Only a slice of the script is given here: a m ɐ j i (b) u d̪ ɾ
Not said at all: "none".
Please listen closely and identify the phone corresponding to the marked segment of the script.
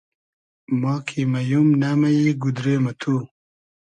ɡ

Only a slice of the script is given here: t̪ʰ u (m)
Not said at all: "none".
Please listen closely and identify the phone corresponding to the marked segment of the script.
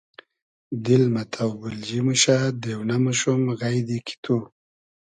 none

